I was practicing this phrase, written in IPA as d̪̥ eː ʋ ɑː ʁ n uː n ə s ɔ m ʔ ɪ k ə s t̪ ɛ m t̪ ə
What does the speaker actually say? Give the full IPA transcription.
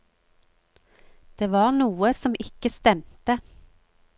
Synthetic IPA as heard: d̪̥ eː ʋ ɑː ʁ n uː ə s ɔ m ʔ ɪ k ə s t̪ ɛ m t̪ ə